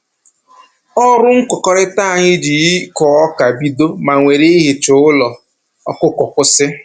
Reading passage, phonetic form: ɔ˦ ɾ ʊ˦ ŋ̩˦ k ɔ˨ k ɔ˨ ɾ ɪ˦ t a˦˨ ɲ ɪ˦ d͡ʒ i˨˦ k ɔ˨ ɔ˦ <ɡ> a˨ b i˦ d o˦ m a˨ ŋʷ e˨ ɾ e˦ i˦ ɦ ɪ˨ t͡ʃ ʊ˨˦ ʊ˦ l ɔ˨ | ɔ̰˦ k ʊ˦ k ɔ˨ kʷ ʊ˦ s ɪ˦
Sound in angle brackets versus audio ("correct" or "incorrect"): incorrect